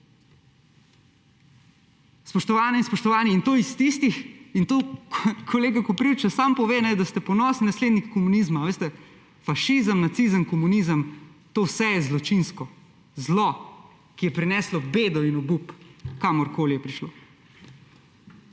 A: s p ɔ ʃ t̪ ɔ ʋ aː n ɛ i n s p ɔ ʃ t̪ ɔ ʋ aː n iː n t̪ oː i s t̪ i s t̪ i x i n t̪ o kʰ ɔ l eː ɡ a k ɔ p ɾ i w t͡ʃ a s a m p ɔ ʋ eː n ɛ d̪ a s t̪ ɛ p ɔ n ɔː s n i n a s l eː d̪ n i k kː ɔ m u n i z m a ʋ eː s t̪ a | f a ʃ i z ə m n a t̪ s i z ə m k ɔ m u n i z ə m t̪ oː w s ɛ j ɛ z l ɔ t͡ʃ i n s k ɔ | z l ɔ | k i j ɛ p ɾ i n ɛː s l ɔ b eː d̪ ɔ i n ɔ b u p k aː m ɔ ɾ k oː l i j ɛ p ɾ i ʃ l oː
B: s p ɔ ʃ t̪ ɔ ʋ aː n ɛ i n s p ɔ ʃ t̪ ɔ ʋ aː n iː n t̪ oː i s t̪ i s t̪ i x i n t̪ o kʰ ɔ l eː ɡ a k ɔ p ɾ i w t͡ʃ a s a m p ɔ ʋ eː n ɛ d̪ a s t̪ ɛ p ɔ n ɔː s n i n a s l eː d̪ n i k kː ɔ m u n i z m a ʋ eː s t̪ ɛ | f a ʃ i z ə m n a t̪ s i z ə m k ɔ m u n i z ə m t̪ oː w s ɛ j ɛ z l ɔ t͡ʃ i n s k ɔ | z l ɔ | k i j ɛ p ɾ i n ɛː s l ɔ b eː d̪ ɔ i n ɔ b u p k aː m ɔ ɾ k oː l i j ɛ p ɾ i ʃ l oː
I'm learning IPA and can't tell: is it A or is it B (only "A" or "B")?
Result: B